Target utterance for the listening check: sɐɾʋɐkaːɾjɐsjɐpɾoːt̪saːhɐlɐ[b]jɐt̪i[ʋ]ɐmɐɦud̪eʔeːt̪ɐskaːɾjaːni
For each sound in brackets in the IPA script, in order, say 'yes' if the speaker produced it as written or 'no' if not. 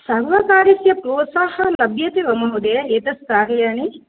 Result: yes, yes

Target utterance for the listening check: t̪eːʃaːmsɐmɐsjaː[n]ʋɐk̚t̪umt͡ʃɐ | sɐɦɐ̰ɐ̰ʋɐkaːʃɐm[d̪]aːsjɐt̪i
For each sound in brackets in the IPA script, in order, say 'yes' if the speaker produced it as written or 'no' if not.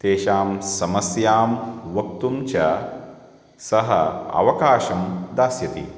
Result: no, yes

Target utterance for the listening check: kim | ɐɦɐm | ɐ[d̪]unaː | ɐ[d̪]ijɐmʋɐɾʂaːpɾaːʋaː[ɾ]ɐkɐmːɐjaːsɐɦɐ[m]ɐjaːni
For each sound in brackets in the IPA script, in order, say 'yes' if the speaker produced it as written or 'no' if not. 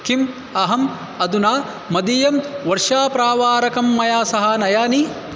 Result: yes, yes, yes, no

